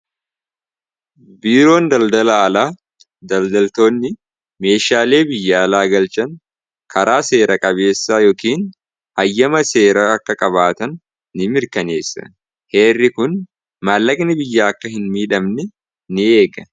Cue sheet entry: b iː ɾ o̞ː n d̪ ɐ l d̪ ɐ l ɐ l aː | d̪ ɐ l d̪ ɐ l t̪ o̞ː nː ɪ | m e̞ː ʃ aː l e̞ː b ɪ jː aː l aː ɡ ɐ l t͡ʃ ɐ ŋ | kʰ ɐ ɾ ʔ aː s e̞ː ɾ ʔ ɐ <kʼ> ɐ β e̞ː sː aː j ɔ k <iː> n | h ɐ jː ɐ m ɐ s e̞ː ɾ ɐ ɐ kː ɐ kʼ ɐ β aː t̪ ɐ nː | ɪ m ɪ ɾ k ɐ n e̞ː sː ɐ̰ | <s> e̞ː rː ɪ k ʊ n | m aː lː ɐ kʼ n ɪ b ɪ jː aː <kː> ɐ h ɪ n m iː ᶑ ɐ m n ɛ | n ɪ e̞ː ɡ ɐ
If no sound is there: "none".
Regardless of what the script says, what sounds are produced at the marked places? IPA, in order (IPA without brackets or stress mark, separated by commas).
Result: kʼ, iː, h, kː